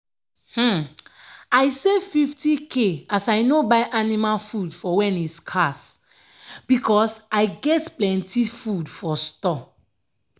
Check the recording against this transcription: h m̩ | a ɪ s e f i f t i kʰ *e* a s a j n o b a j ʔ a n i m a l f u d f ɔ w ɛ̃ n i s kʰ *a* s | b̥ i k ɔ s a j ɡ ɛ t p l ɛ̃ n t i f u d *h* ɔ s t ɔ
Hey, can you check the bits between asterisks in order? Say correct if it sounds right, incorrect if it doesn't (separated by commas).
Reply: correct, correct, incorrect